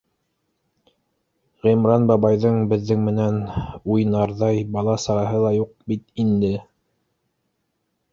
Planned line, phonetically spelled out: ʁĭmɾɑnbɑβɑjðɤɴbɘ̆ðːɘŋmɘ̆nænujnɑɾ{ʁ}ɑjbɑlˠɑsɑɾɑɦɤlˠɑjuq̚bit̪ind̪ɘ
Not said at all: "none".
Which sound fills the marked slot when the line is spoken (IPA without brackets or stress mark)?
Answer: ð